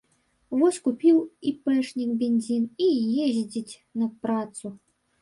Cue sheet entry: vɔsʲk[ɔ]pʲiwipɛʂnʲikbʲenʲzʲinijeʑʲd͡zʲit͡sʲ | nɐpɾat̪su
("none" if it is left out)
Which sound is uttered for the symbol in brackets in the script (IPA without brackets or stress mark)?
u